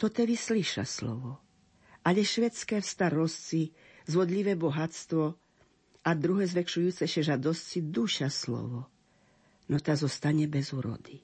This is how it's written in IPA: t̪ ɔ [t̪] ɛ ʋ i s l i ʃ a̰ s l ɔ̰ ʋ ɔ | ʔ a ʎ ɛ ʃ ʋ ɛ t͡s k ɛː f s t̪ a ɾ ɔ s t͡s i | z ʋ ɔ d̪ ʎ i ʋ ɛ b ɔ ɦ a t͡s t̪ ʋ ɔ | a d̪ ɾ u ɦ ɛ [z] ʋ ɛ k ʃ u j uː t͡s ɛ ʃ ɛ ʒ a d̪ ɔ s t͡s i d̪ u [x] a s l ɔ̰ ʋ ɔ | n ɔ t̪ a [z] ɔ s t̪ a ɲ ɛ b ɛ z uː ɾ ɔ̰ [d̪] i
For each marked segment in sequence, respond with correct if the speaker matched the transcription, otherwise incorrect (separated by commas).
correct, correct, incorrect, correct, correct